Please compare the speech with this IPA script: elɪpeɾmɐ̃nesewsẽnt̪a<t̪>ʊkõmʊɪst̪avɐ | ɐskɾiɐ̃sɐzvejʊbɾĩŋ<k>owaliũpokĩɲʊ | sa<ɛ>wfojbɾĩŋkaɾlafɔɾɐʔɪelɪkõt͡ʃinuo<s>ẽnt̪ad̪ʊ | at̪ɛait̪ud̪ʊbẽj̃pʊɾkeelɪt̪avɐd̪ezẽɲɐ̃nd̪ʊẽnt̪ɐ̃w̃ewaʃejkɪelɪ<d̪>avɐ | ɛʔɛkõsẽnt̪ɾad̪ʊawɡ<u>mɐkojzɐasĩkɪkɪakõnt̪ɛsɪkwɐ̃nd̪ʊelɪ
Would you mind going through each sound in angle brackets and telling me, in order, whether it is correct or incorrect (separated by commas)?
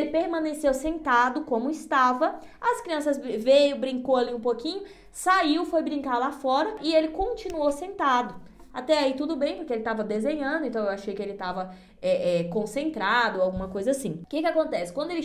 incorrect, correct, incorrect, correct, incorrect, incorrect